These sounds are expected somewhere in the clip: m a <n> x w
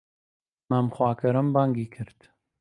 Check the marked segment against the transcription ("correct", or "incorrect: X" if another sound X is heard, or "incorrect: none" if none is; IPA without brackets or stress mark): incorrect: m